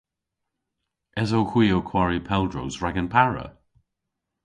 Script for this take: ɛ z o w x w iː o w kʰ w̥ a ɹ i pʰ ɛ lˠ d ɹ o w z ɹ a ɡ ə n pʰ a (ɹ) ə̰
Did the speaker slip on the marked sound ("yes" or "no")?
no